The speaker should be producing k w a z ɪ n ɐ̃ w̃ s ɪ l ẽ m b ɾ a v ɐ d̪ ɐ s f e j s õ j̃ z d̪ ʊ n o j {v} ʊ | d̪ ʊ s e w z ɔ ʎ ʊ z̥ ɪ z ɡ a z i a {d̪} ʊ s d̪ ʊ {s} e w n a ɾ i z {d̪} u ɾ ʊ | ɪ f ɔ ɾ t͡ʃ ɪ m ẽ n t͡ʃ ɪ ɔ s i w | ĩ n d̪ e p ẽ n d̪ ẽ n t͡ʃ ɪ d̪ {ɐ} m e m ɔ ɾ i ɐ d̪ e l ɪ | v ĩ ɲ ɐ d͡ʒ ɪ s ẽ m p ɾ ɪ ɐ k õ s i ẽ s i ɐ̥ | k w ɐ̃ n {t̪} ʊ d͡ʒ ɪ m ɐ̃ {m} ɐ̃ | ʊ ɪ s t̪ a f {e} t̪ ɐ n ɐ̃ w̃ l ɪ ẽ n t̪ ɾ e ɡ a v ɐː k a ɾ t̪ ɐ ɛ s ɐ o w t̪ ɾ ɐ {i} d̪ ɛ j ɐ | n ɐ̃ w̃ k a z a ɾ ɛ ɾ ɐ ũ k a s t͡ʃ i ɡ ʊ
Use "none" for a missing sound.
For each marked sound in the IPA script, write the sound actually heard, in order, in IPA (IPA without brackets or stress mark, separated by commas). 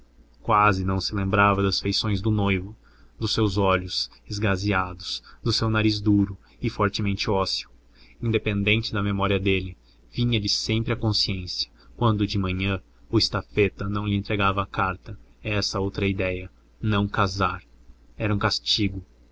v, d̪, s, d̪, ɐ, d̪, ɲ, e, i